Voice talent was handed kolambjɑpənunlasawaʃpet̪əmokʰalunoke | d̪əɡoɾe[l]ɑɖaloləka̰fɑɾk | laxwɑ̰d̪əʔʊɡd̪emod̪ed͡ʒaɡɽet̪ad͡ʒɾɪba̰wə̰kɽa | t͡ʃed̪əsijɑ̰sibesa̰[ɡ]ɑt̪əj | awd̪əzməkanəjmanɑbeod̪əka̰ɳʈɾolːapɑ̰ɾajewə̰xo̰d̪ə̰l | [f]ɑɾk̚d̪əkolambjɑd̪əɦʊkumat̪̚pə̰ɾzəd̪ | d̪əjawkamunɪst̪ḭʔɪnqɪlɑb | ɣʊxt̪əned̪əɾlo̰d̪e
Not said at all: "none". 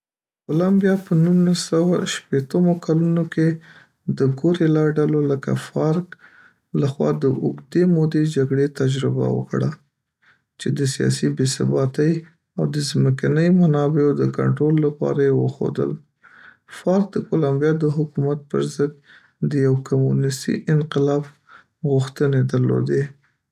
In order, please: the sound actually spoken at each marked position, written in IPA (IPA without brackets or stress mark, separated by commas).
l, b, f